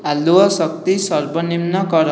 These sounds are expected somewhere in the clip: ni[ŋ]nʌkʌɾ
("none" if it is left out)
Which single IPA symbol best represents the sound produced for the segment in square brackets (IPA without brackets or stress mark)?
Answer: m